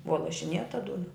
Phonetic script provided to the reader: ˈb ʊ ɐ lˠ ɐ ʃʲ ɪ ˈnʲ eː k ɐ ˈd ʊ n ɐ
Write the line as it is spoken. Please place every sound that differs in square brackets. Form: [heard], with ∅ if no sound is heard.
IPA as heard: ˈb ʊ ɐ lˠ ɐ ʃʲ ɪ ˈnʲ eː [t] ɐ ˈd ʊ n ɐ